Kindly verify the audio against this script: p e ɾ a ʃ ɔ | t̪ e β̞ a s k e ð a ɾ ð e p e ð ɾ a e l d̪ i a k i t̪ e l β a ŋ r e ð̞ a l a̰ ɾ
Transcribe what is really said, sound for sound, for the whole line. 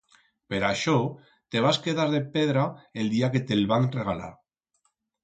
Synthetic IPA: p e ɾ a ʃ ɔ | t̪ e β̞ a s k e ð a ɾ ð e p e ð ɾ a e l d̪ i a k e t̪ e l β a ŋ r e ɣ̞ a l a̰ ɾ